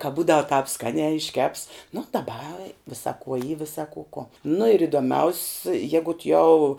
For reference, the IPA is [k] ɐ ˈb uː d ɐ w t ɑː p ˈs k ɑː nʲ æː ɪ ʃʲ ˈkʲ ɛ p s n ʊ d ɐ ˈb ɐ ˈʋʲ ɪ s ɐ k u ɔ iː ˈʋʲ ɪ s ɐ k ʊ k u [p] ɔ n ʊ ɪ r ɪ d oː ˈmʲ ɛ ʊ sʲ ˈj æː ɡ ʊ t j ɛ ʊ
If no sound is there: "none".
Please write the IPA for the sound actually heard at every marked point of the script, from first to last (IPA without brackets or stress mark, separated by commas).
k, none